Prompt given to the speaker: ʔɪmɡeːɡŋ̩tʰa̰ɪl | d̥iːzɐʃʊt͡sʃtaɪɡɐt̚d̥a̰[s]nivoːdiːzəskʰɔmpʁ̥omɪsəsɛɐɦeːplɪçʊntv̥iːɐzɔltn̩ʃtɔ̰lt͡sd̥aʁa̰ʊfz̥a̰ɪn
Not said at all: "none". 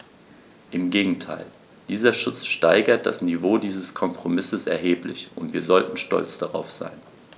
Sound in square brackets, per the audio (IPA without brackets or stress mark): s